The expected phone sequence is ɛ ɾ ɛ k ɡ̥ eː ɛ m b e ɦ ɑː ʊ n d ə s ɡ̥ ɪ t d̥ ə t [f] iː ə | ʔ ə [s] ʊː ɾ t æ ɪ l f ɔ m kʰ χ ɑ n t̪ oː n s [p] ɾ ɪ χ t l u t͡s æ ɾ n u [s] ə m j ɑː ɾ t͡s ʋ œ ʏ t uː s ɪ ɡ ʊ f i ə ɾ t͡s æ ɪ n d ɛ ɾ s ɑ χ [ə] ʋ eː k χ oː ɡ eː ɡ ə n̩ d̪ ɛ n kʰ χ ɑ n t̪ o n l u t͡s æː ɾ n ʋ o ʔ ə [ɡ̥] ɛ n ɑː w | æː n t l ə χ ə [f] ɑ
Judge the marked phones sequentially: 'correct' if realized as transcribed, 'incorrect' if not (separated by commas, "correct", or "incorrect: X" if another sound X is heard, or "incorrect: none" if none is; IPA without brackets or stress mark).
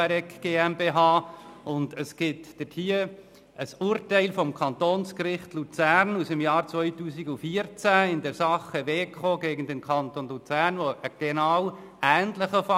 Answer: incorrect: h, correct, incorrect: k, correct, correct, correct, correct